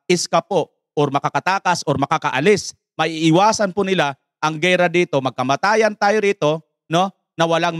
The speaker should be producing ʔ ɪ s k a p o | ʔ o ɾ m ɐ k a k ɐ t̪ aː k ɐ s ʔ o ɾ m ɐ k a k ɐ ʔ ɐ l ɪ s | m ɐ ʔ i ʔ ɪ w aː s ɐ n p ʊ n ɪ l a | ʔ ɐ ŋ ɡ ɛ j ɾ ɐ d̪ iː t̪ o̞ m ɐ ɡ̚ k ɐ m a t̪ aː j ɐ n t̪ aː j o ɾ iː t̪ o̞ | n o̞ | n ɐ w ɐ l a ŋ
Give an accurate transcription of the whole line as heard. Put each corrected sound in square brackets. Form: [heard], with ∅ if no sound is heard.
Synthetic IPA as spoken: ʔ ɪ s k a p o | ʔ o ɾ m ɐ k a k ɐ t̪ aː k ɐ s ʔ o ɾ m ɐ k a k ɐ ʔ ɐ l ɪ s | m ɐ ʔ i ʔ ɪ w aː s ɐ n p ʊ n ɪ l a | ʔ ɐ ŋ ɡ ɛ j ɾ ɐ d̪ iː t̪ o̞ m ɐ ɡ̚ k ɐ m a t̪ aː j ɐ n t̪ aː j o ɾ iː t̪ o̞ | n o̞ | n ɐ w ɐ l a ŋ